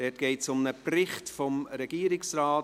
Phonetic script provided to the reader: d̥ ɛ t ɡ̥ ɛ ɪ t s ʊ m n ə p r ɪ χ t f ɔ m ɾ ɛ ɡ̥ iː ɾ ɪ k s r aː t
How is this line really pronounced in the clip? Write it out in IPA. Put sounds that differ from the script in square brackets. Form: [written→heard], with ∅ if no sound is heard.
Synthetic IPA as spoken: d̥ ɛ t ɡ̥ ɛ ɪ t s ʊ m n ə p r ɪ χ t f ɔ m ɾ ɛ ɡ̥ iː ɾ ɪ k s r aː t